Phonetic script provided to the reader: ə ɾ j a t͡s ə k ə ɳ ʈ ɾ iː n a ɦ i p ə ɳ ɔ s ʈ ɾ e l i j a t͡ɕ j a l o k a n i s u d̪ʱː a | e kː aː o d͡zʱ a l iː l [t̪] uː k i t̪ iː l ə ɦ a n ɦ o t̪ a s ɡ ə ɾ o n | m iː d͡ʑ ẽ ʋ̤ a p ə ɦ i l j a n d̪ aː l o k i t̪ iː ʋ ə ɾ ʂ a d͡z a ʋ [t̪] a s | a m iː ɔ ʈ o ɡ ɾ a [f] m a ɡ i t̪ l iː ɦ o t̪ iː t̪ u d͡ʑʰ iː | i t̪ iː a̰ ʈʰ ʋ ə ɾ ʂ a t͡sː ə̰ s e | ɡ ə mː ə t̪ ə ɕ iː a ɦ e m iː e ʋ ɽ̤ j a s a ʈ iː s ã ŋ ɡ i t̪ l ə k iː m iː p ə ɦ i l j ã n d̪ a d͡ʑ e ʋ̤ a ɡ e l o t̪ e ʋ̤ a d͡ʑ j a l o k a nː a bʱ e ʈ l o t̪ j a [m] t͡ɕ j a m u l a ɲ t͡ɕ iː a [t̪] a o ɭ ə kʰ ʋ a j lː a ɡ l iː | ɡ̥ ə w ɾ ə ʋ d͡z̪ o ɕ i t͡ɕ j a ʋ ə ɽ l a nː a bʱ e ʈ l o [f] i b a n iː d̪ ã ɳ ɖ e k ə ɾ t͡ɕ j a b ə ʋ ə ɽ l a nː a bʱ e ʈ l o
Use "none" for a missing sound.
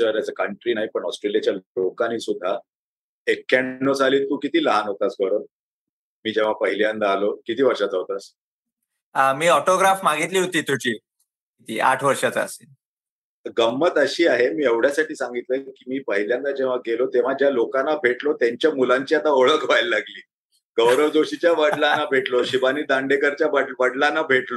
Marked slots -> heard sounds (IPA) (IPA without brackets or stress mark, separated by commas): t̪, t̪, f, ɲ, t̪, ɕ